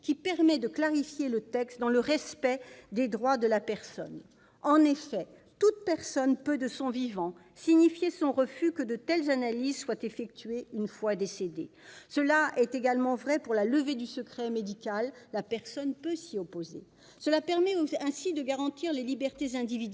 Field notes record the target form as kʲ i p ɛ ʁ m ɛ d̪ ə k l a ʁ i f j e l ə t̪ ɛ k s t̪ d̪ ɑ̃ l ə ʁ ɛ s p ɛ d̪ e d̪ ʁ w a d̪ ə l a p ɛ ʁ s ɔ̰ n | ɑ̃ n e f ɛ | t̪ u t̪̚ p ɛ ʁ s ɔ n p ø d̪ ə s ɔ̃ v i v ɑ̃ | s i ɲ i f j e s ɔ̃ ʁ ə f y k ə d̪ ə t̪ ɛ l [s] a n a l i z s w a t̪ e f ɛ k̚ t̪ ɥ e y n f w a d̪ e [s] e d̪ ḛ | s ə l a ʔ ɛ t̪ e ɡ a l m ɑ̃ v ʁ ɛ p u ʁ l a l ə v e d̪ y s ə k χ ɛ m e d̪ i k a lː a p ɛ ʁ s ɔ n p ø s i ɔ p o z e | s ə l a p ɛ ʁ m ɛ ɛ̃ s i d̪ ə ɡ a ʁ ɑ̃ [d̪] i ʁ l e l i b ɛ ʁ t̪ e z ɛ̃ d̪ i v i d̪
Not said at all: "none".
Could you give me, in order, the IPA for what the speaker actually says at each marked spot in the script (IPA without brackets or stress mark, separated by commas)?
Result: z, s, t̪